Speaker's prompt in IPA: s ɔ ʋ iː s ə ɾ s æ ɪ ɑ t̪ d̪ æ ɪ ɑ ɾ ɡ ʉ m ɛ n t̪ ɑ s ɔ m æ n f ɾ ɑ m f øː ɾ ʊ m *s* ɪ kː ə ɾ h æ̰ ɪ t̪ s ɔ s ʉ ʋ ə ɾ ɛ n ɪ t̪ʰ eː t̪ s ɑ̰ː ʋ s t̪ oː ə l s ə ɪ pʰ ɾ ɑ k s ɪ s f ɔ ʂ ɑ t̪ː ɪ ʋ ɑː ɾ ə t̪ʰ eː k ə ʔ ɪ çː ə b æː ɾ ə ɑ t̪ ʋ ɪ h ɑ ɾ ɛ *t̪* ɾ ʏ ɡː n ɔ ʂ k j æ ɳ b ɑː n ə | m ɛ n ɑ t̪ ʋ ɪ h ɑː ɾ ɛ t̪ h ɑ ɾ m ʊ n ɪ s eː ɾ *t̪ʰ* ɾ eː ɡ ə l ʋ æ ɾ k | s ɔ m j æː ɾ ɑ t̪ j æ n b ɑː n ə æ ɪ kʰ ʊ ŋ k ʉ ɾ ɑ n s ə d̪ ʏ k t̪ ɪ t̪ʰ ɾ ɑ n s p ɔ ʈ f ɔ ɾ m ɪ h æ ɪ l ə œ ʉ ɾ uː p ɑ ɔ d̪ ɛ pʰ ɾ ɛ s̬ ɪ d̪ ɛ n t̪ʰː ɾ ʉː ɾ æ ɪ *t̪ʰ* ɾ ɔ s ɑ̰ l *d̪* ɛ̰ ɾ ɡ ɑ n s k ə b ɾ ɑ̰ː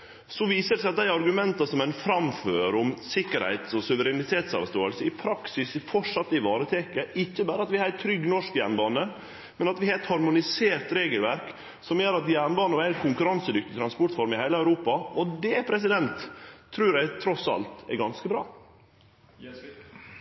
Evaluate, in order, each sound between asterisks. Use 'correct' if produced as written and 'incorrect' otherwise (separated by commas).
correct, incorrect, incorrect, correct, incorrect